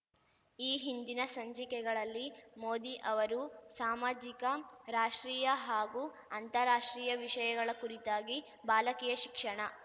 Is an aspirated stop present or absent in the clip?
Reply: absent